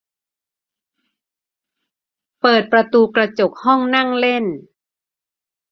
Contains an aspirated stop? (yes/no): no